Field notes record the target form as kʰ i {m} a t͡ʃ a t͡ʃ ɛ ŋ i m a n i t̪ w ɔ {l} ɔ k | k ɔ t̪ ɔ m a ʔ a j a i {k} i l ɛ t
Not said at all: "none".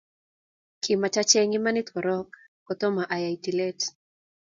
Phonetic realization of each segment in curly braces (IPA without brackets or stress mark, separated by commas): m, ɾ, t